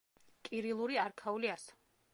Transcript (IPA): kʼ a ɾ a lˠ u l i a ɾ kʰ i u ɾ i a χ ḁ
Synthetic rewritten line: kʼ i ɾ i lˠ u ɾ i a ɾ kʰ a u l i a s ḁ